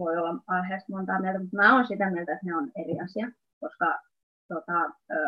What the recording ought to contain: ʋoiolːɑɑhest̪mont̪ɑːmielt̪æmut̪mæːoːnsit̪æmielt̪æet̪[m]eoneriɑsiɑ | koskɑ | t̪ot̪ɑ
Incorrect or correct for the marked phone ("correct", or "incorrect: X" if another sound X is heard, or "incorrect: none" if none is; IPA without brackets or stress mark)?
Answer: incorrect: n